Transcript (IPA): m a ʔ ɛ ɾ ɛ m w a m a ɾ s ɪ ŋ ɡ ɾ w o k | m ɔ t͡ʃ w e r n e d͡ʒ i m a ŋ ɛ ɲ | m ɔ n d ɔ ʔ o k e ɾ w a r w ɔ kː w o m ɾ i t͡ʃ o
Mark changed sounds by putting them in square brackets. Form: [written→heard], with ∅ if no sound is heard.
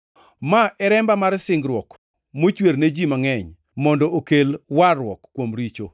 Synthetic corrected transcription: m a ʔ ɛ ɾ ɛ m [w→b] a m a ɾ s ɪ ŋ ɡ ɾ w [o→ɔ] k | m [ɔ→o] t͡ʃ w e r n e d͡ʒ i m a ŋ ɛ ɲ | m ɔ n d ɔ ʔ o k e [ɾ→l] w a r w ɔ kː w o m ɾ i t͡ʃ o